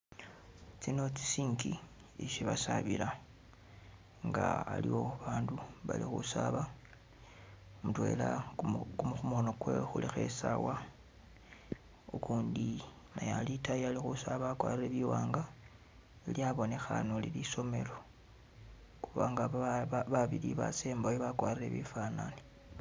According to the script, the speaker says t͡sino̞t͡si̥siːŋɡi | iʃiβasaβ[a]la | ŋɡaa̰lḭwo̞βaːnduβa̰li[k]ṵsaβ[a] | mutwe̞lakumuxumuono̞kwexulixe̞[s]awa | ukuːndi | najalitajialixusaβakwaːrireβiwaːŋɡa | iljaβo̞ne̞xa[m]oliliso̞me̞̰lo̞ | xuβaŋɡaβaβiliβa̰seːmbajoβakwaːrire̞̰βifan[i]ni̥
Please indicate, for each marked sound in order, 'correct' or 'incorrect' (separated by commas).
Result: incorrect, incorrect, correct, correct, incorrect, incorrect